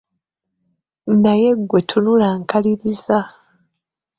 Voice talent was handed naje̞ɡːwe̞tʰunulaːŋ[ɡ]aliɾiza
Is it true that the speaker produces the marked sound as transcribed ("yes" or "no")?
no